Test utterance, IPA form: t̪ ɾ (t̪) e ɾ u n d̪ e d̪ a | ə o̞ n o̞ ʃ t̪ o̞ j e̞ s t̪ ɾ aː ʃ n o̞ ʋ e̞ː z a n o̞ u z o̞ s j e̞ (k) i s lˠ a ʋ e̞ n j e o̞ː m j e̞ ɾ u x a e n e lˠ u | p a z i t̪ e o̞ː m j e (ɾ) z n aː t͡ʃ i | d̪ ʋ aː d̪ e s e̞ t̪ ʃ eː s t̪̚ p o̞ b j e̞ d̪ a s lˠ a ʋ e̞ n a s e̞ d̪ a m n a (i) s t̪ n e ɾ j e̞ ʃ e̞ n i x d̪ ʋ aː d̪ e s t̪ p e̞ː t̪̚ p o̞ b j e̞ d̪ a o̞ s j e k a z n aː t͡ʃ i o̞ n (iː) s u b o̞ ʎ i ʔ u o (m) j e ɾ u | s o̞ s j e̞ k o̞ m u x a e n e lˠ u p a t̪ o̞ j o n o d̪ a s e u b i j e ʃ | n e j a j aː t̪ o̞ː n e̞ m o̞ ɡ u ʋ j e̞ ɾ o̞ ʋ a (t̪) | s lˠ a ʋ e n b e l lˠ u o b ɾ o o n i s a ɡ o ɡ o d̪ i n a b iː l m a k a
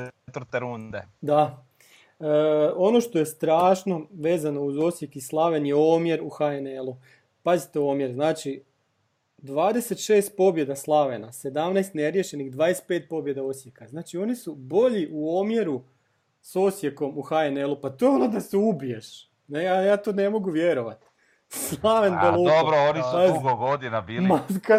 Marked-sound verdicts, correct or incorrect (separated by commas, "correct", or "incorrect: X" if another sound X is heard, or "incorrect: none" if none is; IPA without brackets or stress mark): correct, correct, correct, incorrect: j, incorrect: i, correct, correct